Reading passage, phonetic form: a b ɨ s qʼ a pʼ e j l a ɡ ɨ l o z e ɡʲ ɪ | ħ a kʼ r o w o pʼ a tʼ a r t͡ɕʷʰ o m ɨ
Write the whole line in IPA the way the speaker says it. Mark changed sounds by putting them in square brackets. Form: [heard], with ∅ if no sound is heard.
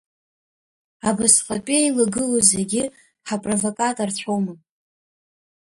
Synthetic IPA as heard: a b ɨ s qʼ a pʼ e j l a ɡ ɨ l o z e ɡʲ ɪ | ħ a [pʼ] r o [v] o [kʼ] a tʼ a r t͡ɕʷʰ o m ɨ